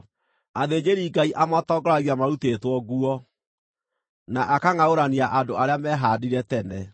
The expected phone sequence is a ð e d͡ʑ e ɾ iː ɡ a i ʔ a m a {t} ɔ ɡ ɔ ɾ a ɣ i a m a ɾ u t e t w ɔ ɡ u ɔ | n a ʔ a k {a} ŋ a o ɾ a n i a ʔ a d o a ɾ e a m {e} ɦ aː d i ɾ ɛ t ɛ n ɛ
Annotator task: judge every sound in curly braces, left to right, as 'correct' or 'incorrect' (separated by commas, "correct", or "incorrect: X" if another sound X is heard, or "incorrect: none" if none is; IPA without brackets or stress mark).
correct, correct, incorrect: ɛ